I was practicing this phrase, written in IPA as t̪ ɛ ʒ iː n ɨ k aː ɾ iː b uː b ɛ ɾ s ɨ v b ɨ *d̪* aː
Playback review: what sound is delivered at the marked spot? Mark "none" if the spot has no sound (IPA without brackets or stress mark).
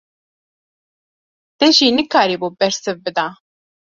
d̪